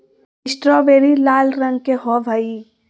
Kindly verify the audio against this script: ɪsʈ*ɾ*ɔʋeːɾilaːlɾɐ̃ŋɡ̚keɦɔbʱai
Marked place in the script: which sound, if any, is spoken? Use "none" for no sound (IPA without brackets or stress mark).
ɾ